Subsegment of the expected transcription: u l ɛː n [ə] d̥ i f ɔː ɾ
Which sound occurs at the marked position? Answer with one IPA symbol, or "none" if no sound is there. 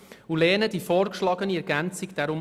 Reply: ə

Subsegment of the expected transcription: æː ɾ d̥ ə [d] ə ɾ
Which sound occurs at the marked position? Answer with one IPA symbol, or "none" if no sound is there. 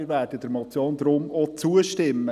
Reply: d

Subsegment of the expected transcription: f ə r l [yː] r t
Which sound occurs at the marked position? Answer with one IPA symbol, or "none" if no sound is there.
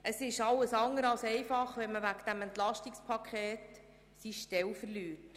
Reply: yː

